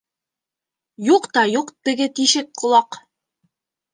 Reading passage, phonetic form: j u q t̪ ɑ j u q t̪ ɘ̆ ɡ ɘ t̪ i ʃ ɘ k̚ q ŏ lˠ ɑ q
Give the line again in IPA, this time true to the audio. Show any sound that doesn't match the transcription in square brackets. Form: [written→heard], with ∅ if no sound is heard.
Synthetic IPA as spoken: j u q t̪ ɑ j u q t̪ ɘ̆ ɡ ɘ t̪ i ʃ ɘ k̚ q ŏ lˠ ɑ q